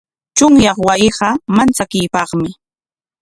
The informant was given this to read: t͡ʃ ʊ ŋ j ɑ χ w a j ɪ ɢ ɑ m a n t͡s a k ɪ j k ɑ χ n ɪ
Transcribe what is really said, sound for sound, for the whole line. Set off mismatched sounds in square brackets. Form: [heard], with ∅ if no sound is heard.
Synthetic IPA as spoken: t͡ʃ ʊ ŋ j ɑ χ w a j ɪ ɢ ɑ m a n t͡s a k ɪ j [p] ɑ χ [m] ɪ